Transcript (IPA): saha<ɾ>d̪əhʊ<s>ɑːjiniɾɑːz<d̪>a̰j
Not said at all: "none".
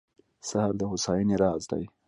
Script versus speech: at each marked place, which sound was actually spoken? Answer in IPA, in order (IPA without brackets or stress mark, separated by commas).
ɾ, s, d̪